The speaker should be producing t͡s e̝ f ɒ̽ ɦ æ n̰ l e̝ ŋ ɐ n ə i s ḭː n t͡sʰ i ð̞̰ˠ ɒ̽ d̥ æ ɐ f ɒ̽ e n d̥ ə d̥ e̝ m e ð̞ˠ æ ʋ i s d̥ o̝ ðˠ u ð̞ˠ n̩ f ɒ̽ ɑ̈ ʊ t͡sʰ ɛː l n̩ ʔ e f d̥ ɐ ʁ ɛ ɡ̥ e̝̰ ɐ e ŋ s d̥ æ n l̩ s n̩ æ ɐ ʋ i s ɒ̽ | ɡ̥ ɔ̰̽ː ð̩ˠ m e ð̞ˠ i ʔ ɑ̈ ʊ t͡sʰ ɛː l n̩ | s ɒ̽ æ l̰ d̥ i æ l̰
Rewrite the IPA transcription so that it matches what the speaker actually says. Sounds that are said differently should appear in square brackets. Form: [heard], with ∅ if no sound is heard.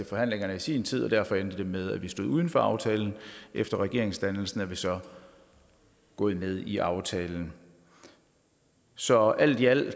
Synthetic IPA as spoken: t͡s e̝ f ɒ̽ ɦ æ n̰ l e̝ ŋ ɐ n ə i s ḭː n t͡sʰ i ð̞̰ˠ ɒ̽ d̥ æ ɐ f ɒ̽ e n d̥ ə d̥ e̝ m e ð̞ˠ æ ʋ i s d̥ o̝ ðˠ u ð̞ˠ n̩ f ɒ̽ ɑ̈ ʊ t͡sʰ ɛː l n̩ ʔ e f d̥ ɐ ʁ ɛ ɡ̥ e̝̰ ɐ e ŋ s d̥ æ n l̩ s n̩ æ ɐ ʋ i s ɒ̽ | ɡ̥ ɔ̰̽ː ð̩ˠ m e ð̞ˠ i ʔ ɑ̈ ʊ t͡sʰ ɛː l n̩ | s ɒ̽ æ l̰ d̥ i æ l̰